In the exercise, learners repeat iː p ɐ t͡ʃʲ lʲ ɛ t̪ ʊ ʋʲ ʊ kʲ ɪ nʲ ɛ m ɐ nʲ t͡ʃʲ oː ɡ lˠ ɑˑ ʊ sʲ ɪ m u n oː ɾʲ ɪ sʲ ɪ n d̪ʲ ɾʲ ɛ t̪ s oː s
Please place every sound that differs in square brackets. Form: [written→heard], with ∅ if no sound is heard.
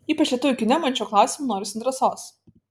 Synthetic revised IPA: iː p ɐ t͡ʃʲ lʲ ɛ t̪ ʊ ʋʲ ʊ kʲ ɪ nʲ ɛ m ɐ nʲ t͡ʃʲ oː [ɡ→k] lˠ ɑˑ ʊ sʲ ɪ m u n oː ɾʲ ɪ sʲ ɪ n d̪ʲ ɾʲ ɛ [t̪→∅] s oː s